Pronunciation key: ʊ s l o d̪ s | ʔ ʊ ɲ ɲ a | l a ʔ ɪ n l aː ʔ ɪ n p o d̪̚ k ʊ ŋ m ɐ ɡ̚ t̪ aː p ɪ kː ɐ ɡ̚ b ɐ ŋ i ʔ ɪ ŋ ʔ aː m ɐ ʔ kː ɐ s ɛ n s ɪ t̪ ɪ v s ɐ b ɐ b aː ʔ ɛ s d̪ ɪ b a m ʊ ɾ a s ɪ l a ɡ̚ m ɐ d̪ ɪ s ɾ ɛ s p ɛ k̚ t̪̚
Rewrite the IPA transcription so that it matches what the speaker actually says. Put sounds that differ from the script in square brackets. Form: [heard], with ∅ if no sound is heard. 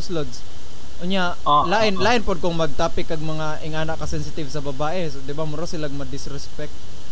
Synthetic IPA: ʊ s l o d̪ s | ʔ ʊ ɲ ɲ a | l a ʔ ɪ n l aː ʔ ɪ n p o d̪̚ k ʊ ŋ m ɐ ɡ̚ t̪ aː p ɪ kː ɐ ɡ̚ [m] ɐ ŋ [a] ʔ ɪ ŋ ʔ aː [n] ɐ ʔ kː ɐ s ɛ n s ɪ t̪ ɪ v s ɐ b ɐ b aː ʔ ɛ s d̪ ɪ b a m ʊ ɾ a s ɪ l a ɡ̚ m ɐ d̪ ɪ s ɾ ɛ s p ɛ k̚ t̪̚